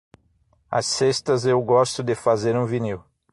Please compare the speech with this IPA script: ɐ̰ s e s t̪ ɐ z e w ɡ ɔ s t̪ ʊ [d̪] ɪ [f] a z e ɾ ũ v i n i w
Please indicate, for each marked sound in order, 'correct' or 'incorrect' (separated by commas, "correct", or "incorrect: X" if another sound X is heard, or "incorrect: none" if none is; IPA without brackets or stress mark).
correct, correct